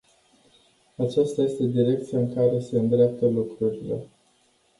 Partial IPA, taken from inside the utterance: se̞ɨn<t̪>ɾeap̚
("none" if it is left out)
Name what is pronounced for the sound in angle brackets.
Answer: d̪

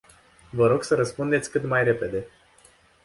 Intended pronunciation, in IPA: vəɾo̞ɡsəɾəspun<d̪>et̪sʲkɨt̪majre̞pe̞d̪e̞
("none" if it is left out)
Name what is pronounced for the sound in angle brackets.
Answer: d̪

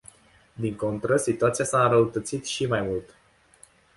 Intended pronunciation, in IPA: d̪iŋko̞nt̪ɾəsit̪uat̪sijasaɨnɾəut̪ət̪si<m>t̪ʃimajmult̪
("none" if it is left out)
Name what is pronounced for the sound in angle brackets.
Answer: none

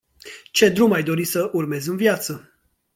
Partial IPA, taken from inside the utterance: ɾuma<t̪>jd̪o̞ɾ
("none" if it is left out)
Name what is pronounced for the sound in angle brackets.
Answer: none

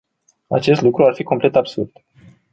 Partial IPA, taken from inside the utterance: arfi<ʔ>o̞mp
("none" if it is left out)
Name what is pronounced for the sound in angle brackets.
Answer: k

